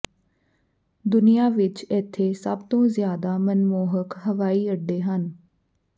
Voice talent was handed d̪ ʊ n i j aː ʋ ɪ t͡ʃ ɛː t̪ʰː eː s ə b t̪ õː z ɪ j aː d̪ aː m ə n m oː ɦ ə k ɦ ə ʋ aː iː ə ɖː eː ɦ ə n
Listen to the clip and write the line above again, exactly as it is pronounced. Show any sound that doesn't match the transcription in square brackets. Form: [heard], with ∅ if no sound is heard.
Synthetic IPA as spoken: d̪ ʊ n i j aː ʋ ɪ t͡ʃ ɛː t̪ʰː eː s ə b t̪ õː z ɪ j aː d̪ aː m ə n m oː ɦ ə k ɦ ə ʋ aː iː ə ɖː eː ɦ ə n